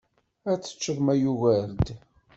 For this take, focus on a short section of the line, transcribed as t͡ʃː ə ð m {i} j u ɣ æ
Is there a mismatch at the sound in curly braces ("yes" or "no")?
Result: yes